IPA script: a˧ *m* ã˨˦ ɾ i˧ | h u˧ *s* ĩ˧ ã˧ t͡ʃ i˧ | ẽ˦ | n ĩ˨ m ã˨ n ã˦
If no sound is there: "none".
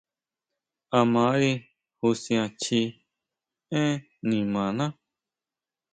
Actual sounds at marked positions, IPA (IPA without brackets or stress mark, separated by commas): m, s